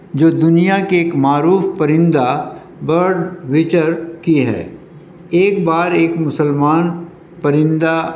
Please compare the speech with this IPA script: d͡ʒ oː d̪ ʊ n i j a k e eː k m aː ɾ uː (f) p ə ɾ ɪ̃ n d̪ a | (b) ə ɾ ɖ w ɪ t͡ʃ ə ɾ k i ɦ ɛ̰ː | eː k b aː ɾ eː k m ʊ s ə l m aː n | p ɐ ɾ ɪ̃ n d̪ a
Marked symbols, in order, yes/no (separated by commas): yes, yes